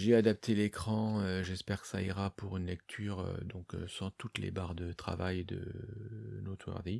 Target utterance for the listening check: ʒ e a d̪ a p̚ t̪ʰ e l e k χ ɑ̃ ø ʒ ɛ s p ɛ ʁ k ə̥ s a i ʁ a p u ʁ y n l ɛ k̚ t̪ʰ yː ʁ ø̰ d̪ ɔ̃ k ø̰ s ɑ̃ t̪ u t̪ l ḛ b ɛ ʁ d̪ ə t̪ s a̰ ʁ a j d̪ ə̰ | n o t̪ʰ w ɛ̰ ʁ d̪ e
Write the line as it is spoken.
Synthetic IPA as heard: ʒ e a d̪ a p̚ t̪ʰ e l e k χ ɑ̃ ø ʒ ɛ s p ɛ ʁ k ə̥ s a i ʁ a p u ʁ y n l ɛ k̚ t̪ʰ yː ʁ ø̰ d̪ ɔ̃ k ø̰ s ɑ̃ t̪ u t̪ l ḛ b a ʁ d̪ ə t̪ χ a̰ v a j d̪ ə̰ | n o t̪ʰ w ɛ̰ ʁ d̪ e

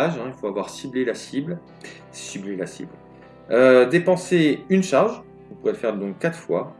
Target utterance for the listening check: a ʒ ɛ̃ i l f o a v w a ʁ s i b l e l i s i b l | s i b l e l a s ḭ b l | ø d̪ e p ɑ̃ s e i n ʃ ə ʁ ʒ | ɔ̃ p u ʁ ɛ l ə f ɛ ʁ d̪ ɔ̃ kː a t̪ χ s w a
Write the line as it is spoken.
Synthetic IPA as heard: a ʒ ɛ̃ i l f o a v w a ʁ s i b l e l a s i b l | s i b l e l a s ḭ b l | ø d̪ e p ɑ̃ s e y n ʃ a ʁ ʒ | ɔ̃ p u ʁ ɛ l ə f ɛ ʁ d̪ ɔ̃ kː a t̪ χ f w a

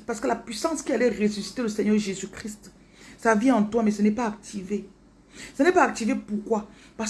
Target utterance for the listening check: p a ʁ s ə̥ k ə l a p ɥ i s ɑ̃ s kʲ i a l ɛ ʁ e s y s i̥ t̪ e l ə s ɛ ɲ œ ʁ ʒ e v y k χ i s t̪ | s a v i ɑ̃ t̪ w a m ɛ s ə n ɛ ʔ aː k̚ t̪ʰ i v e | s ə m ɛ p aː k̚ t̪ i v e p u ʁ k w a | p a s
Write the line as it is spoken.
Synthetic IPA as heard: p a ʁ s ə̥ k ə l a p ɥ i s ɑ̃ s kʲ i a l ɛ ʁ e s y s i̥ t̪ e l ə s ɛ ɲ œ ʁ ʒ e z y k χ i s t̪ | s a v i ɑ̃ t̪ w a m ɛ s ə n ɛ p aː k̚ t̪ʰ i v e | s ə n ɛ p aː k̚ t̪ i v e p u ʁ k w a | p a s

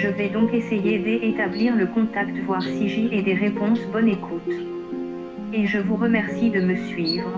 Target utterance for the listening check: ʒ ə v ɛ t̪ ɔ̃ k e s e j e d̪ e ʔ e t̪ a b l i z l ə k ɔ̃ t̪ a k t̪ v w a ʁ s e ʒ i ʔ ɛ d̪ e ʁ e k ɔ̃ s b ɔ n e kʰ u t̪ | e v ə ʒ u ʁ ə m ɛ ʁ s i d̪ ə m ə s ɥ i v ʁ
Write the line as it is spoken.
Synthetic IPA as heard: ʒ ə v ɛ d̪ ɔ̃ k e s e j e d̪ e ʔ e t̪ a b l i ʁ l ə k ɔ̃ t̪ a k t̪ v w a ʁ s i ʒ i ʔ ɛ d̪ e ʁ e p ɔ̃ s b ɔ n e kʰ u t̪ | e ʒ ə v u ʁ ə m ɛ ʁ s i d̪ ə m ə s ɥ i v ʁ

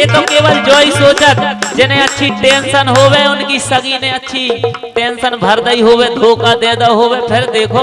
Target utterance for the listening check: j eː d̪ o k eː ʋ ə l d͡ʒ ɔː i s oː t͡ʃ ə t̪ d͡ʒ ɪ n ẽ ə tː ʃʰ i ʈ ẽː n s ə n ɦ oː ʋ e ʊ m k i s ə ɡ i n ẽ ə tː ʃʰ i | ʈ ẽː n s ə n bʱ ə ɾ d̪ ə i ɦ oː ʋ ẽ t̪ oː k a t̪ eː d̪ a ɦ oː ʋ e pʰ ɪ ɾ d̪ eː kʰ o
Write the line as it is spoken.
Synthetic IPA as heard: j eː t̪ o k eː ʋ ə l d͡ʒ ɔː i s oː t͡ʃ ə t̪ d͡ʒ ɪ n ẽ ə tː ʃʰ i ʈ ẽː n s ə n ɦ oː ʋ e ʊ n k i s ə ɡ i n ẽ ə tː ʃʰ i | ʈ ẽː n s ə n bʱ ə ɾ d̪ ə i ɦ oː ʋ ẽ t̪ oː k a d̪ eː d̪ a ɦ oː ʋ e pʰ ɪ ɾ d̪ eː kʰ o

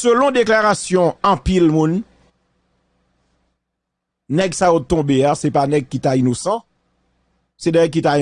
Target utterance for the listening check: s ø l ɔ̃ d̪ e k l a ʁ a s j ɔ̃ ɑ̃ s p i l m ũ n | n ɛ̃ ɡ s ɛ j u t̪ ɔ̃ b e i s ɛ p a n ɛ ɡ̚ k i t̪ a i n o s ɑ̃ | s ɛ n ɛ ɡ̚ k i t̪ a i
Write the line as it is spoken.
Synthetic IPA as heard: s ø l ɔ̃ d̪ e k l a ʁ a s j ɔ̃ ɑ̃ p i l m ũ n | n ɛ ɡ s a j o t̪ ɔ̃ b e a s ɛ p a n ɛ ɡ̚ k i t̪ a i n o s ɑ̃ | s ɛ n ɛ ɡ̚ k i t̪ a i

